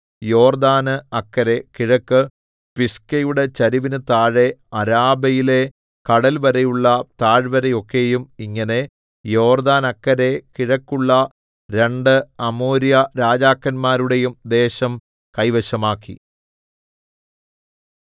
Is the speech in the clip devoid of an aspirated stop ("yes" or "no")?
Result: yes